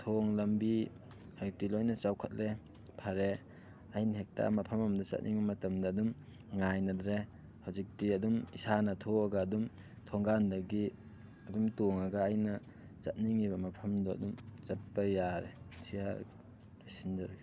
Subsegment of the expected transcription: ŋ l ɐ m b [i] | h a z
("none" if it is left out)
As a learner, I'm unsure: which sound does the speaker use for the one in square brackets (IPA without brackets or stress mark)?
i